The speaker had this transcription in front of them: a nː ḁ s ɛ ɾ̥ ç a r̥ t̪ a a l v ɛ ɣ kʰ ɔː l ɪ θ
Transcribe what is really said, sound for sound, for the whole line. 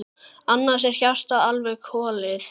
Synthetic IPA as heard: a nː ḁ s ɛ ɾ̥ ç a r̥ t̪ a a l v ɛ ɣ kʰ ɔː l ɪ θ